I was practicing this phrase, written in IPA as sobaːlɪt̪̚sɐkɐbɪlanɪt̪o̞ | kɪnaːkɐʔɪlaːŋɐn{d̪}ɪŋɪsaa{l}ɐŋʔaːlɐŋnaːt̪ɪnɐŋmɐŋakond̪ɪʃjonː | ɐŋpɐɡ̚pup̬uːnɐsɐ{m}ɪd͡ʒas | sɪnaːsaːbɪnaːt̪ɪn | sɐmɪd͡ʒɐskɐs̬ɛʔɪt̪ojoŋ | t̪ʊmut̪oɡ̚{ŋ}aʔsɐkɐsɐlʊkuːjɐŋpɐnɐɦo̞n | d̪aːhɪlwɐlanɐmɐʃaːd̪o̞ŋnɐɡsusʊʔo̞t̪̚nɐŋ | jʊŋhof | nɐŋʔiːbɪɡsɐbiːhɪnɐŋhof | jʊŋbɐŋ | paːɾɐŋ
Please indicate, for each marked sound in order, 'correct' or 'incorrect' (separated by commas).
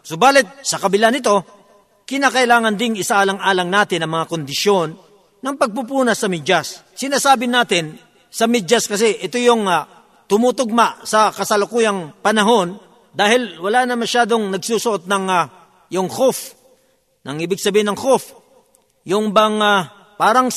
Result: correct, correct, correct, incorrect